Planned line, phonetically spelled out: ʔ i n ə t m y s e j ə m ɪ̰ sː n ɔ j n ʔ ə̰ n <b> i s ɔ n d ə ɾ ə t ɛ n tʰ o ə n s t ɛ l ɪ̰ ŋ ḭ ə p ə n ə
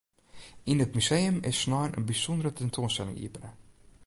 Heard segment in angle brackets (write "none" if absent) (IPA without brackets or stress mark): b